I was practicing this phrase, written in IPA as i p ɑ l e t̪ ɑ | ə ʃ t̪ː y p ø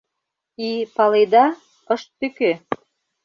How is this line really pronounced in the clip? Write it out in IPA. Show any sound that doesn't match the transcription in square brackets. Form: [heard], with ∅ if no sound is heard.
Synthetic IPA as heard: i p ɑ l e [d̪] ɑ | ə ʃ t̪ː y [k] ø

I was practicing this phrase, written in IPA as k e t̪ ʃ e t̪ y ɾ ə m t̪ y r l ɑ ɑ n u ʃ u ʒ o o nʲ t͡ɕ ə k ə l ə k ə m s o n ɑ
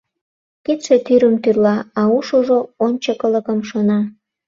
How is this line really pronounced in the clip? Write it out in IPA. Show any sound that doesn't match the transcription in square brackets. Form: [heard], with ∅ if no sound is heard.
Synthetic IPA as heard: k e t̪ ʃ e t̪ y ɾ ə m t̪ y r l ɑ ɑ [∅] u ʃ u ʒ o o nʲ t͡ɕ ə k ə l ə k ə m [ʃ] o n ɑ

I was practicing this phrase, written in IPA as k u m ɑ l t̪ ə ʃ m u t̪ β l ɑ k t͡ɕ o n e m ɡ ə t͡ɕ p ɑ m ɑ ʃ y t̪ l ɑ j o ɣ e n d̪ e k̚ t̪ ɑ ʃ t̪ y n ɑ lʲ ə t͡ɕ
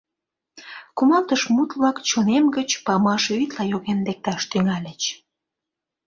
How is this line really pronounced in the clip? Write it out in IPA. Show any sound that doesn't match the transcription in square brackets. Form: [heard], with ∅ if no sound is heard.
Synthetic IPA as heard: k u m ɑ l t̪ ə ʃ m u t̪ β l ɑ k t͡ɕ o n e m ɡ ə t͡ɕ p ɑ m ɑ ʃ y t̪ l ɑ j o ɣ e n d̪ e k̚ t̪ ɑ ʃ t̪ y [ŋ] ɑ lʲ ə t͡ɕ

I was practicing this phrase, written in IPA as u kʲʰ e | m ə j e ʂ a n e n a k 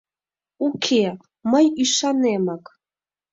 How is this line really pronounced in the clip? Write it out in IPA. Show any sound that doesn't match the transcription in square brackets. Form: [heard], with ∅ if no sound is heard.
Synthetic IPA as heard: u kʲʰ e | m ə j [i] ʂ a n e [m] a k

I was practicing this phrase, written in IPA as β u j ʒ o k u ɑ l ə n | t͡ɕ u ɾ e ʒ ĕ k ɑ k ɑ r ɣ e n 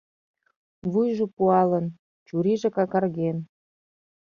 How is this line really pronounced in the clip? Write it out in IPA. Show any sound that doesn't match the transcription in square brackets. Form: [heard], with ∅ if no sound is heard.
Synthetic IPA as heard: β u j ʒ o [p] u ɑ l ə n | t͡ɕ u ɾ [i] ʒ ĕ k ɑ k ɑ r ɣ e n

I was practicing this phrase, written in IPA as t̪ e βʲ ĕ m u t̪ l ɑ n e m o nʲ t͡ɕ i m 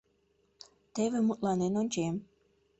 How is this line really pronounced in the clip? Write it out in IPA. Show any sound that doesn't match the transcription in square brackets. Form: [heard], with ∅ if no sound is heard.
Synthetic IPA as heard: t̪ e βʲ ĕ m u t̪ l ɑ n e [n] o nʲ t͡ɕ [e] m

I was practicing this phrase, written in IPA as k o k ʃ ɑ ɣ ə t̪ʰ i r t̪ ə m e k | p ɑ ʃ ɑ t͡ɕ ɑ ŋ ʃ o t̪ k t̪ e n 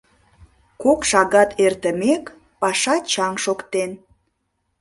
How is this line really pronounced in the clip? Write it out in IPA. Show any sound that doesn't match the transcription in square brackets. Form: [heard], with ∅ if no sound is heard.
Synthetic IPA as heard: k o k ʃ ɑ ɣ [ɑ] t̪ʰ [e] r t̪ ə m e k | p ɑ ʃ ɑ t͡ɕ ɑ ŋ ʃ o [∅] k t̪ e n

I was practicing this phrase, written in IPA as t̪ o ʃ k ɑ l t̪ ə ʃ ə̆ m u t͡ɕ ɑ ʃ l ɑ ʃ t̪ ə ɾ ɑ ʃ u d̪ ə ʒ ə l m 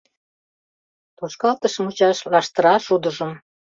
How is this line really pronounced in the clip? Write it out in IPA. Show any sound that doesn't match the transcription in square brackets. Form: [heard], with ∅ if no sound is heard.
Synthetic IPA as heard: t̪ o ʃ k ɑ l t̪ ə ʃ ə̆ m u t͡ɕ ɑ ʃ l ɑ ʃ t̪ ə ɾ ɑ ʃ u d̪ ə ʒ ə [∅] m

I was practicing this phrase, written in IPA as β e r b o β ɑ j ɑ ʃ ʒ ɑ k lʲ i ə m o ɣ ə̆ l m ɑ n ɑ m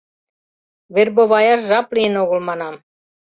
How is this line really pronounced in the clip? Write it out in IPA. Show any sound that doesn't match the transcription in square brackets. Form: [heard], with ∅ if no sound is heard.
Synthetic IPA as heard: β e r b o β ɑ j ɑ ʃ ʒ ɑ [p] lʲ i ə [n] o ɣ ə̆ l m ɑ n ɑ m

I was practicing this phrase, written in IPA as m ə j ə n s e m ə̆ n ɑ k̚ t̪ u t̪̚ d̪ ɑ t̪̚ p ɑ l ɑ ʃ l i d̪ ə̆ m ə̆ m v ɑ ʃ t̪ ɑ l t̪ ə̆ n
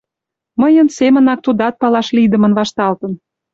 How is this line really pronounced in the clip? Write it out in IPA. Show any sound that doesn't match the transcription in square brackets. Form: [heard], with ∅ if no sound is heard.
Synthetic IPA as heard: m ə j ə n s e m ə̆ n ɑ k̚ t̪ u [∅] d̪ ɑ t̪̚ p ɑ l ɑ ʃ l i d̪ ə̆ m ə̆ [n] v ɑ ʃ t̪ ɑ l t̪ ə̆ n

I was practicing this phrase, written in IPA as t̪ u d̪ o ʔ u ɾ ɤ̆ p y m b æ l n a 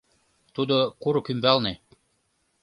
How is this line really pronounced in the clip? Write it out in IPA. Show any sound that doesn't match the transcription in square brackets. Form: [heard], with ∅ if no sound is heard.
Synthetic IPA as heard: t̪ u d̪ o [k] u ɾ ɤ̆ [k] y m b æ l n [e]

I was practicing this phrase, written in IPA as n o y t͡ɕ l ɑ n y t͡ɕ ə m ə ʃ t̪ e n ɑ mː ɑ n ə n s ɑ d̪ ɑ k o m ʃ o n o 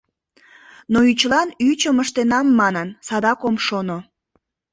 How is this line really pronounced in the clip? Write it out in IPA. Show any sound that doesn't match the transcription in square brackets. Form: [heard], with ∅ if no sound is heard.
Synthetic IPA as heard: n o y t͡ɕ l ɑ n y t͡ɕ ə m ə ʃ t̪ e n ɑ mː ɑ n ə n s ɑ d̪ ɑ k o m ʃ o n o

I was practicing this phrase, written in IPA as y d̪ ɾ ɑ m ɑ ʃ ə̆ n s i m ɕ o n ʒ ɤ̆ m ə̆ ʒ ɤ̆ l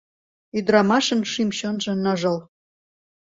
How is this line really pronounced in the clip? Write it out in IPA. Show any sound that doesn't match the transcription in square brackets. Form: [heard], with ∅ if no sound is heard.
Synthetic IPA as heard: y d̪ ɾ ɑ m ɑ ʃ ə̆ n [ʃ] i m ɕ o n ʒ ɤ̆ [n] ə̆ ʒ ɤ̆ l

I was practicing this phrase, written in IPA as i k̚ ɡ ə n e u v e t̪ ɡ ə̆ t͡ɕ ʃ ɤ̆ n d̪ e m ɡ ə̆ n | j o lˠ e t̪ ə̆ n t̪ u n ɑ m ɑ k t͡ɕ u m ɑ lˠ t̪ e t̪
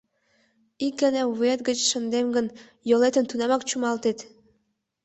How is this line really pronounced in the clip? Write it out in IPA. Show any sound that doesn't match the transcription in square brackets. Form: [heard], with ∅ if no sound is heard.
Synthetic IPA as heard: i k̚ ɡ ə n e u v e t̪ ɡ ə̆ t͡ɕ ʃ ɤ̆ n d̪ e m ɡ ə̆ n | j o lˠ e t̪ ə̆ n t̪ u n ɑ m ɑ k t͡ɕ u m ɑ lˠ t̪ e t̪

